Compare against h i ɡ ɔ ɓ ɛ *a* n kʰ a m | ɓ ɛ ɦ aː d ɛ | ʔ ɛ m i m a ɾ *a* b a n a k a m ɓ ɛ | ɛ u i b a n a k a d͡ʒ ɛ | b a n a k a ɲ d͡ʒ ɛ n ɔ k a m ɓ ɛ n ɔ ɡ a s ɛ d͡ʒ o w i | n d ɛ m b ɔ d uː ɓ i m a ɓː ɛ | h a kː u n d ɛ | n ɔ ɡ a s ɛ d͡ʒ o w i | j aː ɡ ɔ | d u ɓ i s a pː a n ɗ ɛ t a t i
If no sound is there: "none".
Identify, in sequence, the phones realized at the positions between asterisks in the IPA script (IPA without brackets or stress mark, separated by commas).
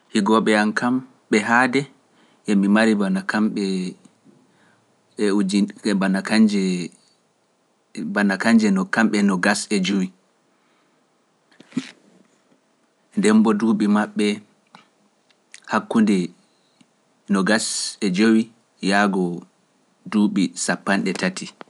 a, i